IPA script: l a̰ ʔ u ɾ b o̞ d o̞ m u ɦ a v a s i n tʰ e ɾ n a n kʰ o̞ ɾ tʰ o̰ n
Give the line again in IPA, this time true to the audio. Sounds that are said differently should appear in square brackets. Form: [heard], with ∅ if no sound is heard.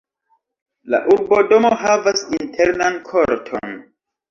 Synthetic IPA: l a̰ ʔ u ɾ b o̞ d o̞ m [o] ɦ a v a s i n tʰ e ɾ n a n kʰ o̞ ɾ tʰ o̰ n